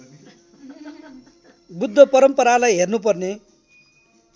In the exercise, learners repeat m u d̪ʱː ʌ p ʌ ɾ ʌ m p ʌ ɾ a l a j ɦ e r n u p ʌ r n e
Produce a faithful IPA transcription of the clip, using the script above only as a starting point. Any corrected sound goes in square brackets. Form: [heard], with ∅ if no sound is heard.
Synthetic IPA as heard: [b] u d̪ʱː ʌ p ʌ ɾ ʌ m p ʌ ɾ a l a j ɦ e r n u p ʌ r n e